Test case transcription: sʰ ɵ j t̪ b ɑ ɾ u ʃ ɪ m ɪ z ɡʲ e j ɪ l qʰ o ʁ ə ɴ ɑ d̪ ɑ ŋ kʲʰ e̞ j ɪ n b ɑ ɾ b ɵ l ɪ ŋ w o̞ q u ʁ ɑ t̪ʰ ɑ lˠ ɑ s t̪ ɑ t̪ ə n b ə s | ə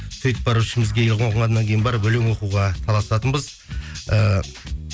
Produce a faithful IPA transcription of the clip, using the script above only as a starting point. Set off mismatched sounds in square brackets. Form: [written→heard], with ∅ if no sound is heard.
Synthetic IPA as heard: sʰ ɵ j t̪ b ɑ ɾ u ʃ ɪ m ɪ z ɡʲ e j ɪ l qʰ o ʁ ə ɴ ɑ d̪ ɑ ŋ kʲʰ e̞ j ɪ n b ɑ ɾ b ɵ l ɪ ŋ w o̞ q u ʁ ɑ t̪ʰ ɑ lˠ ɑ s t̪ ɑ t̪ ə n b ə [s→z] | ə